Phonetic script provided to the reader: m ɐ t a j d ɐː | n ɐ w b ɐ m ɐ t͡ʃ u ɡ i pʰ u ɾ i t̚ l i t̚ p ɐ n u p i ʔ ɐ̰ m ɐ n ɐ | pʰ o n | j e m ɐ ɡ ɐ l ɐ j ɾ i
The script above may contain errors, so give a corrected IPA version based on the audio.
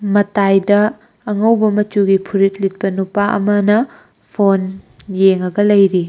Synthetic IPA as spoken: m ɐ t a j d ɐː | ŋ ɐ w b ɐ m ɐ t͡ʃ u ɡ i pʰ u ɾ i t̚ l i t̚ p ɐ n u p a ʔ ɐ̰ m ɐ n ɐ | pʰ o n | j e ŋ ɐ ɡ ɐ l ɐ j ɾ i